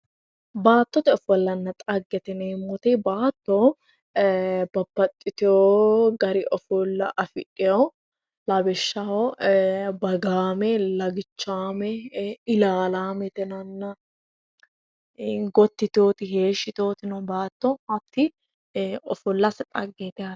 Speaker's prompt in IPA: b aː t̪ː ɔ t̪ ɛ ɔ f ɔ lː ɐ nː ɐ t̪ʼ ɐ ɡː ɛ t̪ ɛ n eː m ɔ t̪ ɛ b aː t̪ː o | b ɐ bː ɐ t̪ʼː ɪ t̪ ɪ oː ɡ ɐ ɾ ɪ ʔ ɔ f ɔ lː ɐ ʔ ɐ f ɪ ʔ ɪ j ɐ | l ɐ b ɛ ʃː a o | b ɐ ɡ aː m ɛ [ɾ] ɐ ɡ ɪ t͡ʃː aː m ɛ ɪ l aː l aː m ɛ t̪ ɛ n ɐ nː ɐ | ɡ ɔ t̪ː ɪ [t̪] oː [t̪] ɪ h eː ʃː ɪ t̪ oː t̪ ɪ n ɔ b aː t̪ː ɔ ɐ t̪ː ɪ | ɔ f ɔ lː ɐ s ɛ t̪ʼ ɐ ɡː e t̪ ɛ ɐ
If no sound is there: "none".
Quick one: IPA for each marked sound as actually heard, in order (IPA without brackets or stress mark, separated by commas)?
l, t̪, t̪